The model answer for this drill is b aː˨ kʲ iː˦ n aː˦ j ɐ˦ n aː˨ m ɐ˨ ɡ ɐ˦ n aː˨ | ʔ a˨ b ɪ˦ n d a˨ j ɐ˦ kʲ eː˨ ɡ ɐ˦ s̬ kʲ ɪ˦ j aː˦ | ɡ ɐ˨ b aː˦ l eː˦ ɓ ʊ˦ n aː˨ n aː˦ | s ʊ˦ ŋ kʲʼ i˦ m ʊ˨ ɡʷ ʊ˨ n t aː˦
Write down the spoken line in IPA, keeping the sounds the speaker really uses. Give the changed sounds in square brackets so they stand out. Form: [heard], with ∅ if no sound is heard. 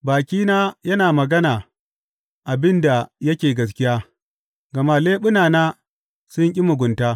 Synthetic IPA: b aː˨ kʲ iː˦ n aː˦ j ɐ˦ n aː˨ m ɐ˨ ɡ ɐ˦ n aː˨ | ʔ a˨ b ɪ˦ n d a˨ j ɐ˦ kʲ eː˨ ɡ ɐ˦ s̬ kʲ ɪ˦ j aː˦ | ɡ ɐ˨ [m] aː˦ l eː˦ ɓ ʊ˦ n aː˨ n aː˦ | s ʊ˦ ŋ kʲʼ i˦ m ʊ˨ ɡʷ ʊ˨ n t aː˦